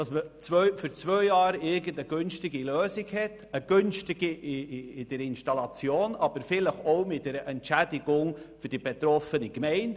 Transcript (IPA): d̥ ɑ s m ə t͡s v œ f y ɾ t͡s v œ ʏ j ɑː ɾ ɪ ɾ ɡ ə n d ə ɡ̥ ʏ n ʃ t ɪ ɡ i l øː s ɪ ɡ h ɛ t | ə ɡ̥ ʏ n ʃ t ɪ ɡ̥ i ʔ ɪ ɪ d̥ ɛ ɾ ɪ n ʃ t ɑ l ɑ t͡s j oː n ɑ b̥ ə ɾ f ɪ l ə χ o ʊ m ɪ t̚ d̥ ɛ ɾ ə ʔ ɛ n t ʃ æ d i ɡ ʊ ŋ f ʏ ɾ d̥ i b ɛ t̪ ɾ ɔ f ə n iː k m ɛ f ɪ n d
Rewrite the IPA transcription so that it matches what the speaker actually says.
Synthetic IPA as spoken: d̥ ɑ s m ə t͡s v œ f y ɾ t͡s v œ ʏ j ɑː ɾ ɪ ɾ ɡ ə n d ə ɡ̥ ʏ n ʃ t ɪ ɡ i l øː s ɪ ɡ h ɛ t | ə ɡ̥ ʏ n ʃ t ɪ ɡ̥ i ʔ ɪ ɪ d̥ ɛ ɾ ɪ n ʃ t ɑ l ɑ t͡s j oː n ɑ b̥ ə ɾ f ɪ l ə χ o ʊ m ɪ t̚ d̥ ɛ ɾ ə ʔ ɛ n t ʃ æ d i ɡ ʊ ŋ f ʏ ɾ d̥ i b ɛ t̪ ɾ ɔ f ə n i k m ɛ ɪ n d

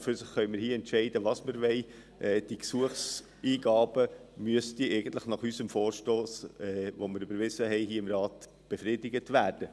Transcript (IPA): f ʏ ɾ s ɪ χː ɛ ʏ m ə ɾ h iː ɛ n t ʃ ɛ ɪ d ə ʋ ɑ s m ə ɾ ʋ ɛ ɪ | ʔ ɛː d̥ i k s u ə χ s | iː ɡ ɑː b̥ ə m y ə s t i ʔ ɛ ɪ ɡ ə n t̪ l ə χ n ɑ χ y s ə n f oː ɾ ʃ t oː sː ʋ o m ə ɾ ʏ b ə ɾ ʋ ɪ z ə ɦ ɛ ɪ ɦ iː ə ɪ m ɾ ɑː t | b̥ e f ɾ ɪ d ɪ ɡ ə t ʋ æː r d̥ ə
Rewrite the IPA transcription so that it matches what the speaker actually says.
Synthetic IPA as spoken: f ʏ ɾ s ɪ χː œ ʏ m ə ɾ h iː ɛ n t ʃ ɛ ɪ d ə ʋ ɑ s m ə ɾ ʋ ɛ ɪ | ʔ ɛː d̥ i k s u ə χ s | iː ɡ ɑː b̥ ə m y ə s t i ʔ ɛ ɪ ɡ ə n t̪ l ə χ n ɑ χ y s ə m f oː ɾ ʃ t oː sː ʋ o m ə ɾ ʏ b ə ɾ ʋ ɪ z ə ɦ ɛ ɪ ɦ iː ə ɪ m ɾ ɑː t | b̥ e f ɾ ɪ d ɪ ɡ ə t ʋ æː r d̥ ə

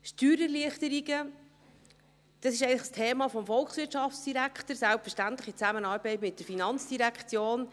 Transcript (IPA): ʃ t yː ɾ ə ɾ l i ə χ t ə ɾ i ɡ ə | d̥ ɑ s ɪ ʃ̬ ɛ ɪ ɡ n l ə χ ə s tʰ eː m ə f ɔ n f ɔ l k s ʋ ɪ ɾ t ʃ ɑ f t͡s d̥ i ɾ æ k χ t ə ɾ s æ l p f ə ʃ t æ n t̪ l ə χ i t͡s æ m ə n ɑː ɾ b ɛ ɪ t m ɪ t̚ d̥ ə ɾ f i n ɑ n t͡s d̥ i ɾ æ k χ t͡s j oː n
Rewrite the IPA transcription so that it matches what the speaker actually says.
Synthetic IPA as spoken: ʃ t yː ɾ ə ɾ l i ə χ t ə ɾ i ɡ ə | d̥ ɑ s ɪ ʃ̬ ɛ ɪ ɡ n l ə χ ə s tʰ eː m ɑ f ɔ m f ɔ l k s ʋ ɪ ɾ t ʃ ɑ f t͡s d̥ i ɾ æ k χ t ə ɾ s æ l p f ə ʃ t æ n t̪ l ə χ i t͡s æ m ə n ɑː ɾ b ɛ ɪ t m ɪ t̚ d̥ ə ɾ f i n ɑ n t͡s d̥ i ɾ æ k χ t͡s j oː n

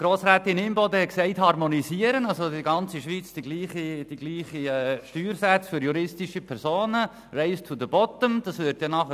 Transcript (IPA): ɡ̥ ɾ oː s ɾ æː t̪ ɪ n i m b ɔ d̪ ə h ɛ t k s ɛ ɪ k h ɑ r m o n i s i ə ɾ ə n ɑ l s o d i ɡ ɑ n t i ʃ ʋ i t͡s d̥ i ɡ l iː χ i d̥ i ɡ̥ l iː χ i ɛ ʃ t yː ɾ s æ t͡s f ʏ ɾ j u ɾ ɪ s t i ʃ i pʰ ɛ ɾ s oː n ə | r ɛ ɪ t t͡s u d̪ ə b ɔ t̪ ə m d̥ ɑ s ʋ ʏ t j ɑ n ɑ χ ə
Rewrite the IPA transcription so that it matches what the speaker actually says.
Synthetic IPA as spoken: ɡ̥ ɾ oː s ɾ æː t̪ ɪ n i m b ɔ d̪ ə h ɛ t k s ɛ ɪ t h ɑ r m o n i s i ə ɾ ə n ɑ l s o d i ɡ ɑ n t͡s i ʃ ʋ i t͡s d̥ i ɡ l iː χ i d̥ i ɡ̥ l iː χ i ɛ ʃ t yː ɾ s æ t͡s f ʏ ɾ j u ɾ ɪ s t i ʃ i pʰ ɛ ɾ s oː n ə | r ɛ ɪ s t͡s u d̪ ə b ɔ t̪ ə m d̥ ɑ s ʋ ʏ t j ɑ n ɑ χ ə

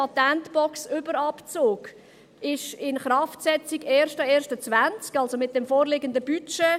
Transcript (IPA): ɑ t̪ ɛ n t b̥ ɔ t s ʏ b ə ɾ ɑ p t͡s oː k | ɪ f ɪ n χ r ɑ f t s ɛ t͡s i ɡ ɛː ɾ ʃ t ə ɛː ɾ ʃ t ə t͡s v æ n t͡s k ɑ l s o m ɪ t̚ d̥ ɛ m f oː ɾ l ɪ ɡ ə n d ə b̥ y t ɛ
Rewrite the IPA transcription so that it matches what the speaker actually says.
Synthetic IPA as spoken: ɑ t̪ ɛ n t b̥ ɔ k s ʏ b ə ɾ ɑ p t͡s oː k | ɪ ʃ ɪ n χ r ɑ f t s ɛ t͡s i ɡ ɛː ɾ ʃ t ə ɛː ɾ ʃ t ə t͡s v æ n t͡s k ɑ l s o m ɪ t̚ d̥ ɛ m f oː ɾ l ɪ ɡ ə n d ə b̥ y t͡ʃ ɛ

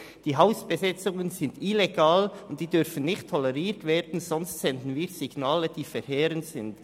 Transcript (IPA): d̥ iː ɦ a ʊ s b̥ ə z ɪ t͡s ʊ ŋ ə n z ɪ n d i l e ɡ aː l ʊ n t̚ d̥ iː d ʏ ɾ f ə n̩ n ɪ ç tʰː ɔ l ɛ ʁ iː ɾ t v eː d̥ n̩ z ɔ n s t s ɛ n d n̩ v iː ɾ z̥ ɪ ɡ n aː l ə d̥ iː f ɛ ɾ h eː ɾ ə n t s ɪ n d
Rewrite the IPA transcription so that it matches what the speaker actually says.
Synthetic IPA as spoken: d̥ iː ɦ a ʊ s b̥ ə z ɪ t͡s ʊ ŋ ə n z ɪ n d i l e ɡ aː l ʊ n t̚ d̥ iː d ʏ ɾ f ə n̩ n ɪ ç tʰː ɔ l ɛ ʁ iː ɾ t v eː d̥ n̩ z ɔ n s t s ɛ n d n̩ v iː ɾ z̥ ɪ ɡ n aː l ə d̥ iː f ɛ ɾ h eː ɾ ə n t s ɪ n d

